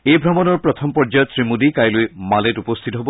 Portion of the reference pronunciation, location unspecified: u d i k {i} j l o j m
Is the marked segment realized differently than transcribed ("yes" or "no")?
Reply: yes